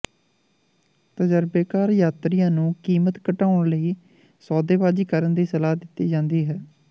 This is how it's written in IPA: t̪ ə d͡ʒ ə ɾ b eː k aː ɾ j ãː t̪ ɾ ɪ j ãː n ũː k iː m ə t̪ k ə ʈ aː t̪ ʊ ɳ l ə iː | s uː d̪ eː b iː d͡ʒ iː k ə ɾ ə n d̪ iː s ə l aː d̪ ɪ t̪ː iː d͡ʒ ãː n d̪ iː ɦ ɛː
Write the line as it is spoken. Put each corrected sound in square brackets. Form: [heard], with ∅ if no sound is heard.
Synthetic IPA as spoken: t̪ ə d͡ʒ ə ɾ b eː k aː ɾ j [aː] t̪ ɾ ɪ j ãː n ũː k iː m ə t̪ k ə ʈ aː [∅] ʊ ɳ l ə iː | s [ɔː] d̪ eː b [aː] d͡ʒ iː k ə ɾ ə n d̪ iː s ə l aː d̪ ɪ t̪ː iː d͡ʒ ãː n d̪ iː ɦ ɛː